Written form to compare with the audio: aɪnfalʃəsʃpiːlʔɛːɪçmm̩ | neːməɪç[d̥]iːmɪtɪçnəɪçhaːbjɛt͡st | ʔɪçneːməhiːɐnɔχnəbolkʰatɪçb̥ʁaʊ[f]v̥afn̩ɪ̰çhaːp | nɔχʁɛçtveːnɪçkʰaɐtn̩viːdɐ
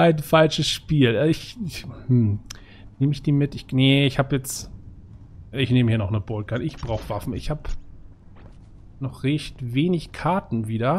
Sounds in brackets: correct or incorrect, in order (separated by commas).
correct, incorrect